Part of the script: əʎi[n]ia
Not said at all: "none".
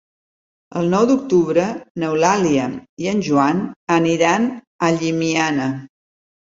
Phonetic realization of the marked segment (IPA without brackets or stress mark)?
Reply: m